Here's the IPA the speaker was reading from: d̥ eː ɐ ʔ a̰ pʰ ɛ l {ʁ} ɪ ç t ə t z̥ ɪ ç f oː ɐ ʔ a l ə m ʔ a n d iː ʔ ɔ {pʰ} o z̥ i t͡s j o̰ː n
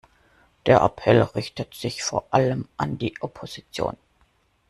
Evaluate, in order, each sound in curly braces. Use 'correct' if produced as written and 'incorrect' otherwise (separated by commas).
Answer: correct, correct